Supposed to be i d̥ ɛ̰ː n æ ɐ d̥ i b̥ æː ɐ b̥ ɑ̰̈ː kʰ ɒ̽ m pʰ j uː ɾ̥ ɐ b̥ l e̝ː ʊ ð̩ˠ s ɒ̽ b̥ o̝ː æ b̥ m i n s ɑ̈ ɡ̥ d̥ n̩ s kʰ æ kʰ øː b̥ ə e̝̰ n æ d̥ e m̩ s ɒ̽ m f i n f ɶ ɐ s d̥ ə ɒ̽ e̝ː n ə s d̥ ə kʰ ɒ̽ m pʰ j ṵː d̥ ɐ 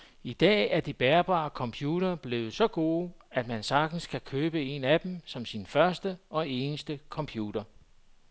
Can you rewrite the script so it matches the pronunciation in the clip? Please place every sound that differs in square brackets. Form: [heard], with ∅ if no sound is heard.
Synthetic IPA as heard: i d̥ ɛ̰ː [∅] æ ɐ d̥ i b̥ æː ɐ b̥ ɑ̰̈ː kʰ ɒ̽ m pʰ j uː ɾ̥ ɐ b̥ l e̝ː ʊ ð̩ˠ s ɒ̽ [ɡ̥] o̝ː æ [d̥] m [æ] n s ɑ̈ ɡ̥ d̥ n̩ s kʰ æ kʰ øː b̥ ə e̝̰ n æ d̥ e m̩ s ɒ̽ m [s] i n f ɶ ɐ s d̥ ə ɒ̽ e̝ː n ə s d̥ ə kʰ ɒ̽ m pʰ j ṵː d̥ ɐ